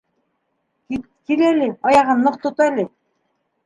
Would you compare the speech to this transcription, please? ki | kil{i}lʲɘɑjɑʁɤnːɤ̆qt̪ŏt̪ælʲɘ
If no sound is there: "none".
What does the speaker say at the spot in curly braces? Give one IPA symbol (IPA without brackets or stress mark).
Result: æ